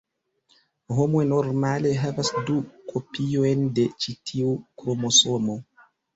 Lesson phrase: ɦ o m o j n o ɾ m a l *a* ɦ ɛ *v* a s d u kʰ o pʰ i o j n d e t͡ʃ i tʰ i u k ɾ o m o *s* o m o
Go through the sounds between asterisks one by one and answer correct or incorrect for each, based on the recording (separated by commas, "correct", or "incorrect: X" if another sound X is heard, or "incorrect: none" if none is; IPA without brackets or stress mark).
incorrect: e, correct, correct